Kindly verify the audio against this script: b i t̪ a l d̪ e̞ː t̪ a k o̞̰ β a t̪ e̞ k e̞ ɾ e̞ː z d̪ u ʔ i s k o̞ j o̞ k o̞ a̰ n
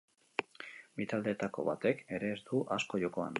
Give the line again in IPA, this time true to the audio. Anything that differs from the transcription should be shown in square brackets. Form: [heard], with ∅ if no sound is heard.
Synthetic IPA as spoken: b i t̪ a l d̪ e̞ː t̪ a k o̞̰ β a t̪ e̞ k e̞ ɾ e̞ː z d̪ u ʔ [a] s k o̞ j o̞ k o̞ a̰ n